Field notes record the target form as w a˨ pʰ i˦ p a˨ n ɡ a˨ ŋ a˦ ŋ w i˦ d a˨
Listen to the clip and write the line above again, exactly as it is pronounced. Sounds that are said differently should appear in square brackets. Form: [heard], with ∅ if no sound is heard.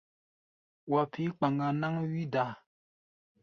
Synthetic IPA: w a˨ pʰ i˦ [k͡p] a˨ [ŋ] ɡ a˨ [n] a˦ ŋ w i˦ d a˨

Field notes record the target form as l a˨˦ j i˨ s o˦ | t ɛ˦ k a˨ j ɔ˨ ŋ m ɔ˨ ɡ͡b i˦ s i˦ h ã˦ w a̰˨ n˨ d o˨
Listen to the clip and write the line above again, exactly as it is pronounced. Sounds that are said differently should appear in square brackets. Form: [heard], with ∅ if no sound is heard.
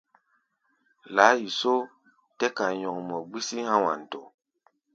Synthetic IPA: l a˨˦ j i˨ s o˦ | t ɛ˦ k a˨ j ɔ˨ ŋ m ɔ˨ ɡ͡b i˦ s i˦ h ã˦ w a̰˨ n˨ [t] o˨

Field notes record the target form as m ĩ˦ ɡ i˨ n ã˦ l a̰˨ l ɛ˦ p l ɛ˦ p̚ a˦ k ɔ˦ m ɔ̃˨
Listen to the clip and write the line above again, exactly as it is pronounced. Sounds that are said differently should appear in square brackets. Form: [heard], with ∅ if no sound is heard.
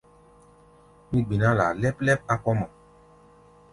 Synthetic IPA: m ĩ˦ [ɡ͡b] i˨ n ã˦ l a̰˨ l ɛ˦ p l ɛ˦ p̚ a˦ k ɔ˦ m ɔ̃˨

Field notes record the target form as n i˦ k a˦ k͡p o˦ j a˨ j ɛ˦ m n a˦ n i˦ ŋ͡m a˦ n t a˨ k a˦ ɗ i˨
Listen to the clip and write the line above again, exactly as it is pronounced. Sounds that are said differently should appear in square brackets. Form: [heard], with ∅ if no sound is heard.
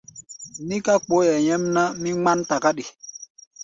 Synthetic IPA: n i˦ k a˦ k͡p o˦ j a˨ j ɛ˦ m n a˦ [m] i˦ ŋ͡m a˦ n t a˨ k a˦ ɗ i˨

